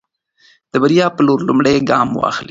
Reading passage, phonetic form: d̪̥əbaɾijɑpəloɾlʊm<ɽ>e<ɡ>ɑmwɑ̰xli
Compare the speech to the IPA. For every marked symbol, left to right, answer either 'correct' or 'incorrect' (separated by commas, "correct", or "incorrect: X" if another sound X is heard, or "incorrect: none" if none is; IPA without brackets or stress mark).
correct, correct